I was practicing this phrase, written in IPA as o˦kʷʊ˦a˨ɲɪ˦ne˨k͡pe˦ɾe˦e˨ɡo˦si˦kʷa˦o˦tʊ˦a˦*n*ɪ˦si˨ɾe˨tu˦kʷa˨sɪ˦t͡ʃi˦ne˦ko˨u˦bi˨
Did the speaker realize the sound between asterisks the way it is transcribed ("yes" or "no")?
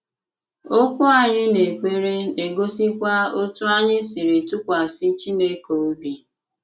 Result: no